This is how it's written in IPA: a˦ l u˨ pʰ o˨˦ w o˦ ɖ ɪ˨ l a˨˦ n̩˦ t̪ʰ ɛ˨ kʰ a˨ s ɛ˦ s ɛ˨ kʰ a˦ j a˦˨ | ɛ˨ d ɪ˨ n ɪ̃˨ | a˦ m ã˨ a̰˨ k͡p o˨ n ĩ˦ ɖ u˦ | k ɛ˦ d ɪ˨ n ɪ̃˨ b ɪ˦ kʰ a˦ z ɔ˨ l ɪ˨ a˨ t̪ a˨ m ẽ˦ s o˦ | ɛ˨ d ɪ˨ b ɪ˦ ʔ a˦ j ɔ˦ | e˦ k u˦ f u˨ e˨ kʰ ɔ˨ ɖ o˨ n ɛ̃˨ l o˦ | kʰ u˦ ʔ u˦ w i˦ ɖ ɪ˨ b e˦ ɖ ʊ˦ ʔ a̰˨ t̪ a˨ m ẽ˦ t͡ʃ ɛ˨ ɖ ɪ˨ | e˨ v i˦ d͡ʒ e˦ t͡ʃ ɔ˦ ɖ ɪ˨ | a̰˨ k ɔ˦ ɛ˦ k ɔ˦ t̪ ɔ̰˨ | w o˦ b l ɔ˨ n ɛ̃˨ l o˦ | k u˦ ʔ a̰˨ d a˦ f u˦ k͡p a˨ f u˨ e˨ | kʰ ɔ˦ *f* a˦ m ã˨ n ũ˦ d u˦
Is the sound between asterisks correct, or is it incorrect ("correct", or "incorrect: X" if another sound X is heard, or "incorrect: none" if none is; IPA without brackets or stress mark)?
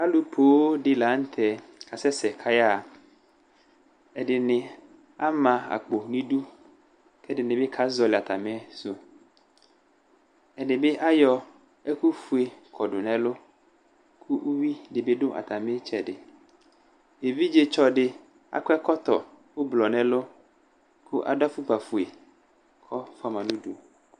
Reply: correct